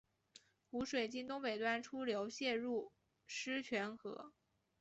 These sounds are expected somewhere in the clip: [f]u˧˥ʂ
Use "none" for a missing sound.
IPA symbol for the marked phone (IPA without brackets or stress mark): x